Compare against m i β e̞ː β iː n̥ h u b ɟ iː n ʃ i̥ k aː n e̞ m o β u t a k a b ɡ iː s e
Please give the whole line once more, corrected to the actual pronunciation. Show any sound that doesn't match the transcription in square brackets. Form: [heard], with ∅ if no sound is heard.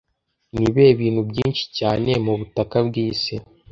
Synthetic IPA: [n] i β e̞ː β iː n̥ h u b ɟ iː n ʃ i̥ [c] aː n e̞ m [u] β u t a k a b ɡ iː s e